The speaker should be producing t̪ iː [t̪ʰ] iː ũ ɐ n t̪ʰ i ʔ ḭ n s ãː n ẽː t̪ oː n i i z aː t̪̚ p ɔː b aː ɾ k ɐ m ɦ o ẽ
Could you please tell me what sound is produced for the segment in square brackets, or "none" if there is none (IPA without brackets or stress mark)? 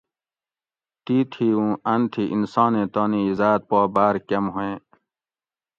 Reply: t̪ʰ